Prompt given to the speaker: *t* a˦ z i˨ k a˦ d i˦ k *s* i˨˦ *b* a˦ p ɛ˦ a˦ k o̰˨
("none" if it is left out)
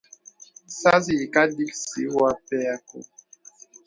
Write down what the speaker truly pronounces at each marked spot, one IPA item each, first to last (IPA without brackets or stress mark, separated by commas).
s, s, w